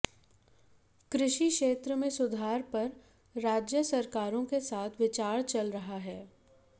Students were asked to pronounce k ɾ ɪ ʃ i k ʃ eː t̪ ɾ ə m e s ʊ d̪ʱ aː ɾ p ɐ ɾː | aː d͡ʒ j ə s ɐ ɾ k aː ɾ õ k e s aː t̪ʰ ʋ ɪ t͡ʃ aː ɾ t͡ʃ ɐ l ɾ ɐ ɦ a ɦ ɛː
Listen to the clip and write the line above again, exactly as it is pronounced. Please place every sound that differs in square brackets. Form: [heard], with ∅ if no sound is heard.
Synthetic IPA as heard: k ɾ ɪ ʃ i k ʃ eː t̪ ɾ ə m [ẽ] s ʊ d̪ʱ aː ɾ p ɐ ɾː | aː d͡ʒ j ə s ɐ ɾ k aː ɾ õ k e s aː t̪ʰ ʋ ɪ t͡ʃ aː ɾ t͡ʃ ɐ l ɾ ɐ ɦ a ɦ ɛː